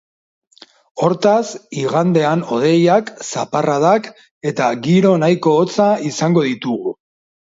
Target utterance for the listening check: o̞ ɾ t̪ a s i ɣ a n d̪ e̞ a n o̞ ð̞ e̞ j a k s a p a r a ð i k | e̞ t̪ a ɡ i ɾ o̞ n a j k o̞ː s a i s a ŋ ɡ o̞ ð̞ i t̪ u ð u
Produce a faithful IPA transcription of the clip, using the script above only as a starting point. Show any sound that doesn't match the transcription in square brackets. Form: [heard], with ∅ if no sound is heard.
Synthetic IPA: o̞ ɾ t̪ a s i ɣ a n d̪ e̞ a n o̞ ð̞ e̞ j a k s a p a r a ð [a] k | e̞ t̪ a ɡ i ɾ o̞ n a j k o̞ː [t͡s] a i s a ŋ ɡ o̞ ð̞ i t̪ u [ɣ] u